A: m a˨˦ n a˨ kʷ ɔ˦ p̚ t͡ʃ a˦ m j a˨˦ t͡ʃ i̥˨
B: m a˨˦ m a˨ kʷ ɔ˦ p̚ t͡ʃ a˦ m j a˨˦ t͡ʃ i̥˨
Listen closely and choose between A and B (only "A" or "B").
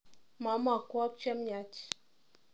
B